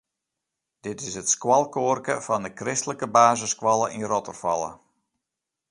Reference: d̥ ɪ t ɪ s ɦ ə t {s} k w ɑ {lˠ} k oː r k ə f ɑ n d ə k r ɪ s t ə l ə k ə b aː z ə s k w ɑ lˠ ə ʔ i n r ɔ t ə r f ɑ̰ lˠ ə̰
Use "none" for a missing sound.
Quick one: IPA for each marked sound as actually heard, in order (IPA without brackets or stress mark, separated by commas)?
s, lˠ